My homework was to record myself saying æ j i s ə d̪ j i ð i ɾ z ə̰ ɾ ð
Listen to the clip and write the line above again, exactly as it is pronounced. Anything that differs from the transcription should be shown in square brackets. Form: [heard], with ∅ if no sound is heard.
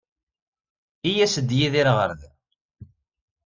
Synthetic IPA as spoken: [i] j [æ] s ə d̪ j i ð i ɾ [ʁ] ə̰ ɾ ð